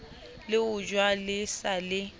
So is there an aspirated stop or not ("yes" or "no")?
no